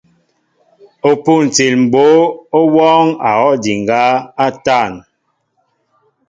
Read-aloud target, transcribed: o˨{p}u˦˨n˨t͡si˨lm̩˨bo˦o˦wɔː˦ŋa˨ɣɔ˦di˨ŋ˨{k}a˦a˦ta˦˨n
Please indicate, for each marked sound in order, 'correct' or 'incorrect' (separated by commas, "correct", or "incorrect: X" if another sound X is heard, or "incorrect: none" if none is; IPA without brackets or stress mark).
correct, incorrect: ɡ